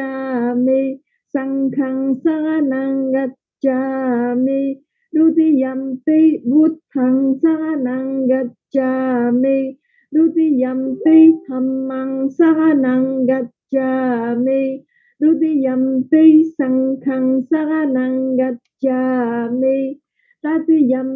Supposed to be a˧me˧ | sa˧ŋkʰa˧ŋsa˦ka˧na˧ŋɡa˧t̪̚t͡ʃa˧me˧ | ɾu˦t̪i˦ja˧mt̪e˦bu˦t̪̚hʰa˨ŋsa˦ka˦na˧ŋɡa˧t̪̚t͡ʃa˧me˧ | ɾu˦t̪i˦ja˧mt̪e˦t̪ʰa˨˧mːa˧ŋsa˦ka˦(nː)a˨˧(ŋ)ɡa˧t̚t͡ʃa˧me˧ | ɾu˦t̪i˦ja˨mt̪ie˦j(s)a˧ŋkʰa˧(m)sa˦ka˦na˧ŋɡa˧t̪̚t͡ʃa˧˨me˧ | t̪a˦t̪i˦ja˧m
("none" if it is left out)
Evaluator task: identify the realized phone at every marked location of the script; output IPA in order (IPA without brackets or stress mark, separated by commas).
n, ŋ, s, ŋ